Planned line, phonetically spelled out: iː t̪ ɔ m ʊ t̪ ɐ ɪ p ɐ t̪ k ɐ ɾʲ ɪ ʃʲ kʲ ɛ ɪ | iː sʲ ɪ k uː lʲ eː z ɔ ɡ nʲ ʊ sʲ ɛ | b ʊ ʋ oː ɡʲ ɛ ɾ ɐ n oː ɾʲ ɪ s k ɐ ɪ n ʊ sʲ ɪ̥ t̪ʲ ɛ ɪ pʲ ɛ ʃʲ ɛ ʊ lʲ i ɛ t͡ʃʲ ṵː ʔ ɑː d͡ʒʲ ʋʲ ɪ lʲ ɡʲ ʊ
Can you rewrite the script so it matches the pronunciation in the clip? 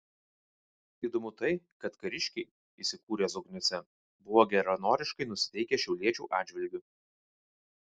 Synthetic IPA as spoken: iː d̪ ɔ m ʊ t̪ ɐ ɪ k ɐ t̪ k ɐ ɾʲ ɪ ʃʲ kʲ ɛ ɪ | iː sʲ ɪ k uː ɾʲ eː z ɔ ɡ nʲ ʊ sʲ ɛ | b ʊ ʋ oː ɡʲ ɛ ɾ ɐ n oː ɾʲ ɪ ʃ k ɐ ɪ n ʊ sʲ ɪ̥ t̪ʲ ɛ ɪ kʲ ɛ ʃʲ ɛ ʊ lʲ i ɛ t͡ʃʲ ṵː ʔ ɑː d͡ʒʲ ʋʲ ɪ lʲ ɡʲ ʊ